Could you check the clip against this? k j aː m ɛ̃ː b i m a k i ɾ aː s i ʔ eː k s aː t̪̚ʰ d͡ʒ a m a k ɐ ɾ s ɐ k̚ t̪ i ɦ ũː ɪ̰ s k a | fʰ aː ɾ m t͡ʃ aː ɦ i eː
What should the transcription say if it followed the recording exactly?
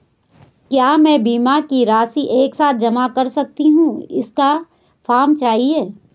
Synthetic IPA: k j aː m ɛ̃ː b iː m a k i ɾ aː s i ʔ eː k s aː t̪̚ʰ d͡ʒ ɐ m a k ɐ ɾ s ɐ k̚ t̪ i ɦ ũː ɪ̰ s k a | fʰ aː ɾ m t͡ʃ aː ɦ i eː